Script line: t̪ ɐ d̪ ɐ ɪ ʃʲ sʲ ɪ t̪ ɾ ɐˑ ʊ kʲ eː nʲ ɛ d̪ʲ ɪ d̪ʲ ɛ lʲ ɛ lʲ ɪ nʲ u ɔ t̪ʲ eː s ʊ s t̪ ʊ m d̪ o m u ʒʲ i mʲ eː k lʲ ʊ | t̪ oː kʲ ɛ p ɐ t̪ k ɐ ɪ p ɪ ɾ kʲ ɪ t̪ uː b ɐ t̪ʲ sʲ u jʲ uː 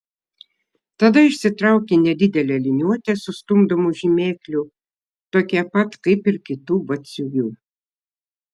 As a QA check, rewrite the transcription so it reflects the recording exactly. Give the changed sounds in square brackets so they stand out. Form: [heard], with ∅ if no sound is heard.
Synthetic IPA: t̪ ɐ d̪ ɐ ɪ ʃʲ sʲ ɪ t̪ ɾ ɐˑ ʊ kʲ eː nʲ ɛ d̪ʲ ɪ d̪ʲ ɛ lʲ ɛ lʲ ɪ nʲ u ɔ t̪ʲ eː s ʊ s t̪ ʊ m d̪ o m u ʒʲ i mʲ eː k lʲ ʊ | t̪ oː kʲ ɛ p ɐ t̪ k ɐ ɪ p ɪ ɾ kʲ ɪ t̪ uː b ɐ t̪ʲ sʲ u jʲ uː

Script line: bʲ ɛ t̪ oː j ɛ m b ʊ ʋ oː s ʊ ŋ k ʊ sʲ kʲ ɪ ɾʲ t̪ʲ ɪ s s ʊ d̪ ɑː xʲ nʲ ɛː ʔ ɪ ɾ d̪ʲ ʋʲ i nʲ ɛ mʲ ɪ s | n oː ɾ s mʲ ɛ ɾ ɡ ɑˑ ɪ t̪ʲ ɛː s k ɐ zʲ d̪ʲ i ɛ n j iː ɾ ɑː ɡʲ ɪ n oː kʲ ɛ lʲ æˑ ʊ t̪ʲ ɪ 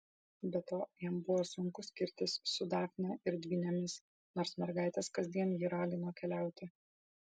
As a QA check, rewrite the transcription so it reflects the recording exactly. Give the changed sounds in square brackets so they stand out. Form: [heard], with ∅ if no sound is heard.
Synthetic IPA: bʲ ɛ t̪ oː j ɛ m b ʊ ʋ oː s ʊ ŋ k ʊ sʲ kʲ ɪ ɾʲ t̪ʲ ɪ s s ʊ d̪ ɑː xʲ nʲ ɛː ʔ ɪ ɾ d̪ʲ ʋʲ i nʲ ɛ mʲ ɪ s | n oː ɾ s mʲ ɛ ɾ ɡ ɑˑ ɪ t̪ʲ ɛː s k ɐ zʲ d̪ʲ i ɛ n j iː ɾ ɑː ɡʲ ɪ n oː kʲ ɛ lʲ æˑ ʊ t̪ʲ ɪ

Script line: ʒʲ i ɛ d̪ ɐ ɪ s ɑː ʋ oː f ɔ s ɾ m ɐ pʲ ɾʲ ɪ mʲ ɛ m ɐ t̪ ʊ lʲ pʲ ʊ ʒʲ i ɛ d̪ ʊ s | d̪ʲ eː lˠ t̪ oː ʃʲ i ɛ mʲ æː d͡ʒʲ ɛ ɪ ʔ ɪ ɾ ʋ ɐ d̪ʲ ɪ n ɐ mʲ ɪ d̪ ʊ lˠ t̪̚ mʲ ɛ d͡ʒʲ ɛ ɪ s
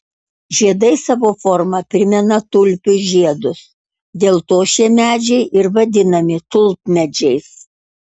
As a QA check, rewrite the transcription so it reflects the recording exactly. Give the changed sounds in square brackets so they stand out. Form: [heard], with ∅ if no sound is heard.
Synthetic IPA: ʒʲ i ɛ d̪ ɐ ɪ s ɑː ʋ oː f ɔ [∅] ɾ m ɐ pʲ ɾʲ ɪ mʲ ɛ [n] ɐ t̪ ʊ lʲ pʲ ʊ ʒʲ i ɛ d̪ ʊ s | d̪ʲ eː lˠ t̪ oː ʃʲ i ɛ mʲ æː d͡ʒʲ ɛ ɪ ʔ ɪ ɾ ʋ ɐ d̪ʲ ɪ n ɐ mʲ ɪ [t̪] ʊ lˠ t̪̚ mʲ ɛ d͡ʒʲ ɛ ɪ s

